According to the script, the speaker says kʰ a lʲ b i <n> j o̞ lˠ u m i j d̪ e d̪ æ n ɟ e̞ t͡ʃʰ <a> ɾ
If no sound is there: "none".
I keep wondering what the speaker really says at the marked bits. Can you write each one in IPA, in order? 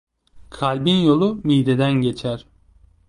n, æ

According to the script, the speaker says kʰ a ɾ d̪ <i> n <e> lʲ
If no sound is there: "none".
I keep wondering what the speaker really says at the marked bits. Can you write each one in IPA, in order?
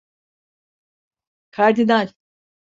i, a

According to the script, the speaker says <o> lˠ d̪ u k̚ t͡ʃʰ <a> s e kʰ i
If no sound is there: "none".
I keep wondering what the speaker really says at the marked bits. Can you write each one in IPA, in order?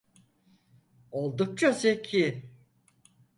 o, a

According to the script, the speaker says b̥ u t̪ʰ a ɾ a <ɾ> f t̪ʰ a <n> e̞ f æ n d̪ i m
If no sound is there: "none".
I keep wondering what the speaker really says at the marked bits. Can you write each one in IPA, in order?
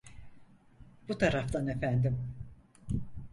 none, n

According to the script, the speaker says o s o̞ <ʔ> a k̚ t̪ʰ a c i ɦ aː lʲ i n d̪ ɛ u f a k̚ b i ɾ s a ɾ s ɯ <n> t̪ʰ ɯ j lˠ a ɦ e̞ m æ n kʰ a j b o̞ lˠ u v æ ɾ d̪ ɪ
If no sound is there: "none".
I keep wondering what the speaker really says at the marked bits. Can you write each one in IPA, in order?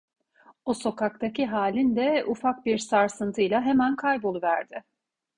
k, n

